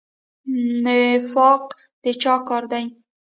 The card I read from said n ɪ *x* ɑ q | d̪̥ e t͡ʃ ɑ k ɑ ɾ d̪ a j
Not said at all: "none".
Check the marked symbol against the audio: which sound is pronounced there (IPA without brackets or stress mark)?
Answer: f